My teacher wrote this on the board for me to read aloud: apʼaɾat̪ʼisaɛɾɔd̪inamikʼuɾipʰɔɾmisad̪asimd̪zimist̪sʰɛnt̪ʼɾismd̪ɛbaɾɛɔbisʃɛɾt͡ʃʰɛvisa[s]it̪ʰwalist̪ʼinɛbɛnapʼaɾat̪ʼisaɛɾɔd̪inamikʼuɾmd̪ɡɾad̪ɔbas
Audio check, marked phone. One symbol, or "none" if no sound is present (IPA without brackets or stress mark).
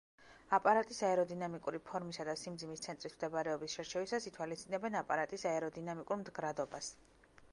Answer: s